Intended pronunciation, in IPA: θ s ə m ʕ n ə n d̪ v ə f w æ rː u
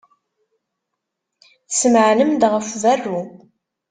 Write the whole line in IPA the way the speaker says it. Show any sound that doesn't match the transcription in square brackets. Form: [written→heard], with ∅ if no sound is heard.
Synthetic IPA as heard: θ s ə m ʕ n ə [n→m] d̪ [v→ʁ] ə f [w→v] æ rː u